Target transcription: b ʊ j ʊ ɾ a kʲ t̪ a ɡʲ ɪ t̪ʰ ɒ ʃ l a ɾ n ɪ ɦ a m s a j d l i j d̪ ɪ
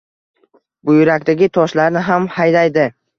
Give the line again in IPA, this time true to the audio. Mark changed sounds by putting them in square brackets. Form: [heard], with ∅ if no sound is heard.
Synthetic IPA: b ʊ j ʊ ɾ a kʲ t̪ a ɡʲ ɪ t̪ʰ ɒ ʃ l a ɾ n ɪ ɦ a m [h] a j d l [a] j d̪ ɪ